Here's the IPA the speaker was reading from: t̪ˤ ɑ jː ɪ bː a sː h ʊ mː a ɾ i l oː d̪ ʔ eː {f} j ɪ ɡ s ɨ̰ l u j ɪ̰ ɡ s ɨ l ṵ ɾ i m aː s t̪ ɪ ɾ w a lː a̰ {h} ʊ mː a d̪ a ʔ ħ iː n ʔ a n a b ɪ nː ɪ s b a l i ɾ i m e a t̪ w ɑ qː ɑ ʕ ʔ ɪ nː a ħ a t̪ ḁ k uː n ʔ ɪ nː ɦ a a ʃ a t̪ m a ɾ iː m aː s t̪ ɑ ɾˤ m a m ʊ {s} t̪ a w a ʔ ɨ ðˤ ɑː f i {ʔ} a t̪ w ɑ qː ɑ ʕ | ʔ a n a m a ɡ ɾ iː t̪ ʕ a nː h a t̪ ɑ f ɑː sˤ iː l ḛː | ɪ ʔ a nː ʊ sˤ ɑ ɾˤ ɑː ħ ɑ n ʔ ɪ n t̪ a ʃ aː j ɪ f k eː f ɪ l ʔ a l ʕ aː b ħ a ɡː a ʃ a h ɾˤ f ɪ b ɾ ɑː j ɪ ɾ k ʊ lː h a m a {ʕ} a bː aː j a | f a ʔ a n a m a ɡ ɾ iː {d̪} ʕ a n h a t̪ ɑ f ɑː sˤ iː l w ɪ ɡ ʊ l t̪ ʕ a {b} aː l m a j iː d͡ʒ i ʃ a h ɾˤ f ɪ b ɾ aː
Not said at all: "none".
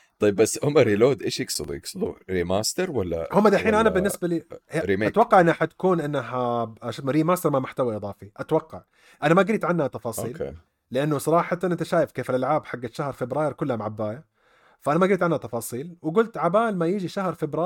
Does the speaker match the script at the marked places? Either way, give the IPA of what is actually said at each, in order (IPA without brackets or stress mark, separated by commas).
ʃ, h, ħ, ʔ, ʕ, t̪, b